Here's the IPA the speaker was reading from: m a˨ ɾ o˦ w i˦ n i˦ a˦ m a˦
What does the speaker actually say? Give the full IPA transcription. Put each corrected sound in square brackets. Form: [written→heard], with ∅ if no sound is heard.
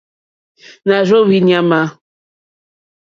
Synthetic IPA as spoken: [m→n] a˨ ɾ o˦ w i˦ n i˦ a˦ m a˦